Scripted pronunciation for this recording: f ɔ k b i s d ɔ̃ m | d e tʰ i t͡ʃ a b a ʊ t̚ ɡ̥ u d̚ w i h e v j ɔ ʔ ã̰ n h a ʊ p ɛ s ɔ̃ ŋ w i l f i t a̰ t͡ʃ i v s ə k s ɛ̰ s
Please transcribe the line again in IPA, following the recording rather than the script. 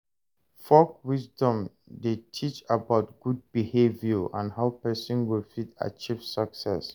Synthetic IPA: f ɔ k w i s d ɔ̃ m | d e tʰ i t͡ʃ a b a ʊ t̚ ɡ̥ u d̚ b i h e v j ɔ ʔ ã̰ n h a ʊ p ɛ s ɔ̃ n w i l f i t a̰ t͡ʃ i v s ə k s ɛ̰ s